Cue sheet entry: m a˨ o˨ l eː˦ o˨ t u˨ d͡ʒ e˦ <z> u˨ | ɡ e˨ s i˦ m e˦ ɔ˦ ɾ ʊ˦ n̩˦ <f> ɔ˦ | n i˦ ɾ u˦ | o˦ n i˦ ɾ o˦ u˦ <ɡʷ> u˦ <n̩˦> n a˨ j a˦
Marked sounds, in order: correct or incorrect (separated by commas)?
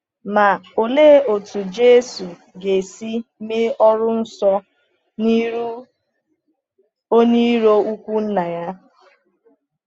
incorrect, incorrect, incorrect, correct